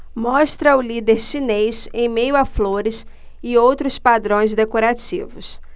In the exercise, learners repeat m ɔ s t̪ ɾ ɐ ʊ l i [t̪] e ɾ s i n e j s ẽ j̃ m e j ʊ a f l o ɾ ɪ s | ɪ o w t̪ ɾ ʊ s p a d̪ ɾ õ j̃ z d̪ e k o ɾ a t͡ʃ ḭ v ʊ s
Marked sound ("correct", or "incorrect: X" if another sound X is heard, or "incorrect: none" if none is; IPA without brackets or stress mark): incorrect: d̪